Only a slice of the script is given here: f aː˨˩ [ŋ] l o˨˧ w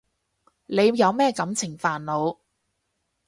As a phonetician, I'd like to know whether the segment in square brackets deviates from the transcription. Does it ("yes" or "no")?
yes